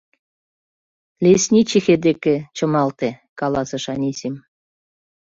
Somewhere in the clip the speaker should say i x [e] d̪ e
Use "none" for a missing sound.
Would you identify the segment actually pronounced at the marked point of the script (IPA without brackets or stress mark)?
e